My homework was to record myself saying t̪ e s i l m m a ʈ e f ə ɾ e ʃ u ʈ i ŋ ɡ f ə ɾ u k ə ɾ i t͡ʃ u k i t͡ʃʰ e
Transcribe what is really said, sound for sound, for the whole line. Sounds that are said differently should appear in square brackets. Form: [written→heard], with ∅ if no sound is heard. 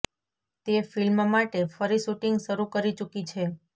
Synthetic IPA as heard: t̪ e [s→f] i l m m a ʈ e f ə ɾ [e→i] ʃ u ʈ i ŋ ɡ [f→ʃ] ə ɾ u k ə ɾ i t͡ʃ u k i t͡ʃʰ e